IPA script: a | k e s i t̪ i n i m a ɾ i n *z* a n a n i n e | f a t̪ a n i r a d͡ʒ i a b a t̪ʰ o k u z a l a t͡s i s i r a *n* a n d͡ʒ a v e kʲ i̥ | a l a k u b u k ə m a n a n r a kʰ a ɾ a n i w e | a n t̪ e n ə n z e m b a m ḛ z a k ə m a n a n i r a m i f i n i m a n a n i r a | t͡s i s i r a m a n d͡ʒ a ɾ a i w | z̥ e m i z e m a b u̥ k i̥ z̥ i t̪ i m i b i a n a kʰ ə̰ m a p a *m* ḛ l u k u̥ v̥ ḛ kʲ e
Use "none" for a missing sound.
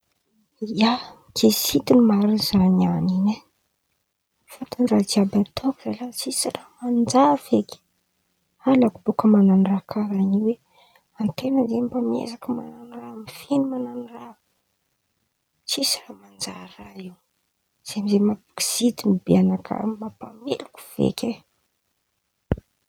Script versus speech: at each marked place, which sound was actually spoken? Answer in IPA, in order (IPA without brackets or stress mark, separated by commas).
z, m, m